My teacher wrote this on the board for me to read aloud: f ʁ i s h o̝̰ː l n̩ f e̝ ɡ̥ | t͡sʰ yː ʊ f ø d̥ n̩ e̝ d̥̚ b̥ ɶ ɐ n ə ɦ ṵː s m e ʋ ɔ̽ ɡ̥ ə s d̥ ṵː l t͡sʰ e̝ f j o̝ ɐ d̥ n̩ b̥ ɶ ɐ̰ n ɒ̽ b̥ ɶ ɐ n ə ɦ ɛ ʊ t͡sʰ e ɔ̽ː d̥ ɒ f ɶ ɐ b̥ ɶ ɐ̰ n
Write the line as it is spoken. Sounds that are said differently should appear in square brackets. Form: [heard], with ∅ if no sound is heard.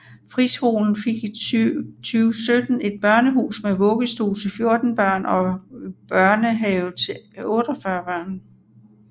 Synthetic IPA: f ʁ i s h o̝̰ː l n̩ f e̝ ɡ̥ | t͡sʰ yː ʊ [s] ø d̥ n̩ e̝ d̥̚ b̥ ɶ ɐ n ə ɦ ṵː s m e ʋ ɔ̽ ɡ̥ ə s d̥ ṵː l t͡sʰ e̝ f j o̝ ɐ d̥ n̩ b̥ ɶ ɐ̰ n ɒ̽ b̥ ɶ ɐ n ə ɦ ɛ ʊ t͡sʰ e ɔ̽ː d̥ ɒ f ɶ ɐ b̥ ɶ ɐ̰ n